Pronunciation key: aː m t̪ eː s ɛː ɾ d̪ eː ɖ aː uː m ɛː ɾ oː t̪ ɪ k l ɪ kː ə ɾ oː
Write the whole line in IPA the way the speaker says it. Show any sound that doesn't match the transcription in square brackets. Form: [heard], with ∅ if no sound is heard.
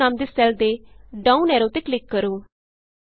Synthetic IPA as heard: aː m [d̪] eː s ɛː [l] d̪ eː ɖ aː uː [n] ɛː ɾ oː t̪ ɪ k l ɪ kː ə ɾ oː